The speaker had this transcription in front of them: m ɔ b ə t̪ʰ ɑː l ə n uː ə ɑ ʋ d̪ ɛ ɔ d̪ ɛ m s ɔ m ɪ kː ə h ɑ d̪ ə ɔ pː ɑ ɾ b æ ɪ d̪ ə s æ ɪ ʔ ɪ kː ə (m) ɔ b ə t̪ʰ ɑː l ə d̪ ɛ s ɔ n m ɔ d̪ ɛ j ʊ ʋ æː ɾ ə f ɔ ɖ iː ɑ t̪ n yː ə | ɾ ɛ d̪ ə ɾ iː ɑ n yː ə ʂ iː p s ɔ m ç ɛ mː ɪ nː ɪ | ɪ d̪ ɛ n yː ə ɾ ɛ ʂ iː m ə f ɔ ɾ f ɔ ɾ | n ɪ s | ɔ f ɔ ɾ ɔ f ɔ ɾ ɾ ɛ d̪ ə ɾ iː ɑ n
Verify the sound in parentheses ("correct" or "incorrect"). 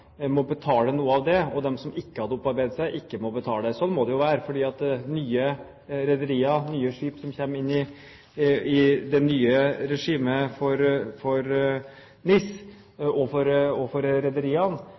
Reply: correct